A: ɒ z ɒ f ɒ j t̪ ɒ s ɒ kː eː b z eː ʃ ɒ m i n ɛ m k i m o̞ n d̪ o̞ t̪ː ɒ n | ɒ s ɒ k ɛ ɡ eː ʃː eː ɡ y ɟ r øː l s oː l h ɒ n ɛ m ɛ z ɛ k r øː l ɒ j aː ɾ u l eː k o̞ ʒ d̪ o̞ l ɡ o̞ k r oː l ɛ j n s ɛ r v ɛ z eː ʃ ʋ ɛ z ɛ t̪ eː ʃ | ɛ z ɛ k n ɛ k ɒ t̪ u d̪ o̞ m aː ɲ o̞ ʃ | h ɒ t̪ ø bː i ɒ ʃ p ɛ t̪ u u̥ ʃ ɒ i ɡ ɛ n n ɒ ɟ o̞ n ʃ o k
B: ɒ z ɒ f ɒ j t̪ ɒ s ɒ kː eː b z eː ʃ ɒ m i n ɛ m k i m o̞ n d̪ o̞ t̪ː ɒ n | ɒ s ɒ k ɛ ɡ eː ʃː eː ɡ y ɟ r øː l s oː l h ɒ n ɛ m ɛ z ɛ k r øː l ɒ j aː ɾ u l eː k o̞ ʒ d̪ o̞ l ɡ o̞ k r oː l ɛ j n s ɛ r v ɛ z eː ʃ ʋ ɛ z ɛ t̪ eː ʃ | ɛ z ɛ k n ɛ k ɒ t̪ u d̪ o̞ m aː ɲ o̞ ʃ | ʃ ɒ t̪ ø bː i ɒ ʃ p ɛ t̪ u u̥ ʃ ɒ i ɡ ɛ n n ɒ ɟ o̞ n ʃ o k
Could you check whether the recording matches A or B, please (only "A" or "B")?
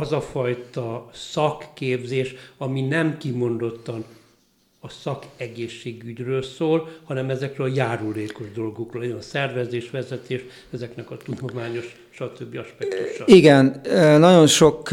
B